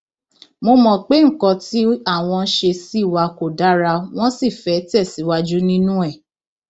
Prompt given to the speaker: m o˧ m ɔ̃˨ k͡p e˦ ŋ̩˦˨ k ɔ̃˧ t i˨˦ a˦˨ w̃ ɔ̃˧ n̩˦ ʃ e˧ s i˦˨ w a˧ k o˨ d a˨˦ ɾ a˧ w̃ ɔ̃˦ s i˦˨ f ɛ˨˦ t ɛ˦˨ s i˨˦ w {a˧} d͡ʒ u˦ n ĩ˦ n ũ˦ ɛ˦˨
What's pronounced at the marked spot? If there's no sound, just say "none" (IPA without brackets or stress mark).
a˧